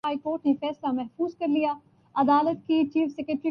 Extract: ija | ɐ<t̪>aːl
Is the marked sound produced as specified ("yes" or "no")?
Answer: no